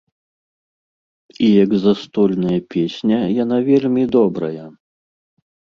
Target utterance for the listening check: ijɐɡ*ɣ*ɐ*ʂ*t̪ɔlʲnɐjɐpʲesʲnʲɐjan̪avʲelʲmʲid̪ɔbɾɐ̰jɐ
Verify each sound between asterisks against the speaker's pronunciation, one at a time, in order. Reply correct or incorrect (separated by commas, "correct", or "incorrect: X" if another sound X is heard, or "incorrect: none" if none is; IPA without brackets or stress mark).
incorrect: z, incorrect: s